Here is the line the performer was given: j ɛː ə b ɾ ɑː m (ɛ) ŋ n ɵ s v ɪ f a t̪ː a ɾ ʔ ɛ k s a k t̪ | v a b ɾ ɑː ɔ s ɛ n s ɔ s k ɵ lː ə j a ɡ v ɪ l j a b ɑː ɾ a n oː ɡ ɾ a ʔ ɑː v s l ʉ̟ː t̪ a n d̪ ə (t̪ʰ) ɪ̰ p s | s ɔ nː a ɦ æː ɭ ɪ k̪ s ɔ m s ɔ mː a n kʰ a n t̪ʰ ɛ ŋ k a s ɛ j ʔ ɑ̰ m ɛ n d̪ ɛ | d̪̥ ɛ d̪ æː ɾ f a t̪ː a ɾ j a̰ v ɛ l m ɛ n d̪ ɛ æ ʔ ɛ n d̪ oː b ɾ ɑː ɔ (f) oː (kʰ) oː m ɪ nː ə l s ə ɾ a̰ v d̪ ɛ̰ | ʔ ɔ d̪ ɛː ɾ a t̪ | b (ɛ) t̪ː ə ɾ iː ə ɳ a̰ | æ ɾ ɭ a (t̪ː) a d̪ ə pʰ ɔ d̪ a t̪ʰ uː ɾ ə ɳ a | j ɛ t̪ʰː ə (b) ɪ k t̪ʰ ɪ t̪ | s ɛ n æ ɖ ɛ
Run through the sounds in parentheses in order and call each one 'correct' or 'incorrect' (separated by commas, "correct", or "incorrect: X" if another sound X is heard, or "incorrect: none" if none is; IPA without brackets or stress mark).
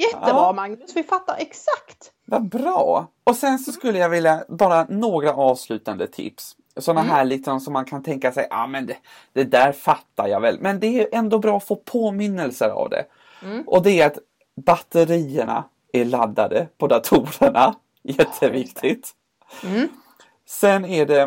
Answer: incorrect: a, correct, correct, incorrect: pʰ, incorrect: a, incorrect: d̪ː, incorrect: v